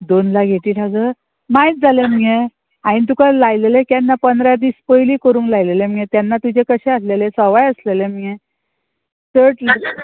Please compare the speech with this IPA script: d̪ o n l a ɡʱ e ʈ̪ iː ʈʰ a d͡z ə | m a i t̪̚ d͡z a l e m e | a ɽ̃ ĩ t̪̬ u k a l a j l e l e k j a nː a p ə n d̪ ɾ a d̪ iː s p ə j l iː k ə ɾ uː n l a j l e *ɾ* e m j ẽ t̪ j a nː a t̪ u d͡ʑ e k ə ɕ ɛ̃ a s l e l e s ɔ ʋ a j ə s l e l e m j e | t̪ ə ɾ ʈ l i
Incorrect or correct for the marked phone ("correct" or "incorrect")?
incorrect